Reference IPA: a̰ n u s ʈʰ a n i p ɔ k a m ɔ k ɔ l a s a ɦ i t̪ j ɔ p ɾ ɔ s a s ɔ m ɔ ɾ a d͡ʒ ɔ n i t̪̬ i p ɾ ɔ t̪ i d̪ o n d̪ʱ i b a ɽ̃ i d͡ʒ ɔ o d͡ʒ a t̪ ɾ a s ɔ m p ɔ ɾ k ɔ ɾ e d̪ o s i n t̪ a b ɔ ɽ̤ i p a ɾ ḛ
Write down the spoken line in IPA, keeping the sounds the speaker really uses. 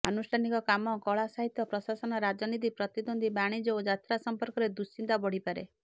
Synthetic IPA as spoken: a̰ n u s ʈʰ a n i k ɔ k a m ɔ k ɔ ɭ a s a ɦ i t̪ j ɔ p ɾ ɔ s a s ɔ n ɔ ɾ a d͡ʒ ɔ n i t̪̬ i p ɾ ɔ t̪ i d̪ o n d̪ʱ i b a ɽ̃ i d͡ʒ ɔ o d͡ʒ a t̪ ɾ a s ɔ m p ɔ ɾ k ɔ ɾ e d̪ u s i n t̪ a b ɔ ɽ̤ i p a ɾ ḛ